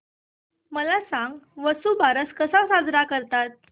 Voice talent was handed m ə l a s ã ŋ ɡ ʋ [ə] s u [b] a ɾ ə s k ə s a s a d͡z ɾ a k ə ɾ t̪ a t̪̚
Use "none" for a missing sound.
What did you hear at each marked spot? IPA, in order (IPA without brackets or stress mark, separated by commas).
ə, b